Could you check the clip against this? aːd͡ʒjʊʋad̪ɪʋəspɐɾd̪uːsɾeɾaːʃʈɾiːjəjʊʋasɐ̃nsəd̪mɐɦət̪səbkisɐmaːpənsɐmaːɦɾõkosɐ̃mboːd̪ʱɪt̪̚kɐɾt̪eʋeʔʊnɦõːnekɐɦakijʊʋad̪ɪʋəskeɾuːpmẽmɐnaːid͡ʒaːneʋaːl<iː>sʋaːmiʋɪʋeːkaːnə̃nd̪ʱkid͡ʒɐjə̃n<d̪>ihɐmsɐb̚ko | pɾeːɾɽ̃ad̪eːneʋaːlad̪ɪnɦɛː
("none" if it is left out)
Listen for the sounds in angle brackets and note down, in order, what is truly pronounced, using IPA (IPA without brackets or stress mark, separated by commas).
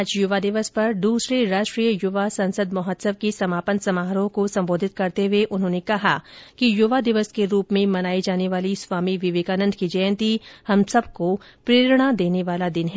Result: i, t̪